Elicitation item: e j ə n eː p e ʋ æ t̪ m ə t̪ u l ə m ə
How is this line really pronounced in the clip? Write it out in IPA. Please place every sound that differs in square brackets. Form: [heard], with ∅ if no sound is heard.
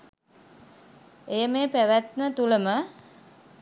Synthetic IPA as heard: e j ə [m] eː p [æ] ʋ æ t̪ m ə t̪ u l ə m ə